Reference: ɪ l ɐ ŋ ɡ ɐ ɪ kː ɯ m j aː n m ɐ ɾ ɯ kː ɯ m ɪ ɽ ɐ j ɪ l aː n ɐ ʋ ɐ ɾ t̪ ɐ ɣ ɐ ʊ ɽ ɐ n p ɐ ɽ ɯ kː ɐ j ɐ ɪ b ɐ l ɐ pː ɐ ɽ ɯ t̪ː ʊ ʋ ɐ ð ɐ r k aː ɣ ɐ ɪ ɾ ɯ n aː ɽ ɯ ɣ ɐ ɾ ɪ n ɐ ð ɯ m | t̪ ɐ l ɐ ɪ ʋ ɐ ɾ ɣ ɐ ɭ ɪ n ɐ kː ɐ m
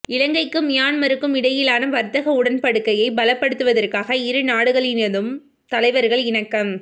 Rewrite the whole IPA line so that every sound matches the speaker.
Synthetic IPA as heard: ɪ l ɐ ŋ ɡ ɐ ɪ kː ɯ m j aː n m ɐ ɾ ɯ kː ɯ m ɪ ɽ ɐ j ɪ l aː n ɐ ʋ ɐ ɾ t̪ ɐ ɣ ɐ ʊ ɽ ɐ n p ɐ ɽ ɯ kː ɐ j ɐ ɪ b ɐ l ɐ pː ɐ ɽ ɯ t̪ː ɯ ʋ ɐ ð ɐ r k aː ɣ ɐ ɪ ɾ ɯ n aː ɽ ɯ ɣ ɐ ɭ ɪ n ɐ ð ɯ m | t̪ ɐ l ɐ ɪ ʋ ɐ ɾ ɣ ɐ ɭ ɪ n ɐ kː ɐ m